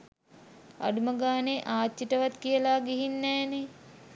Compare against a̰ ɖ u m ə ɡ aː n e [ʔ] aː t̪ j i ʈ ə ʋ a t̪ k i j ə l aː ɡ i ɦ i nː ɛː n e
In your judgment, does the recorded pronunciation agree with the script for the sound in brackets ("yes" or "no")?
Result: yes